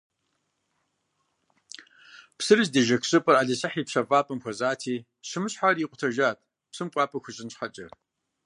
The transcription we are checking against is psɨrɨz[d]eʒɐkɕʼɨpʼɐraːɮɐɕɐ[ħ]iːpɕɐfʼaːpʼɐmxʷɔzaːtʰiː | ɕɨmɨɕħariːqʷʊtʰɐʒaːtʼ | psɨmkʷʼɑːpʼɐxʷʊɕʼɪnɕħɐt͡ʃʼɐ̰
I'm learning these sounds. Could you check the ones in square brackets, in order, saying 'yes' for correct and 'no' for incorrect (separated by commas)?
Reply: yes, yes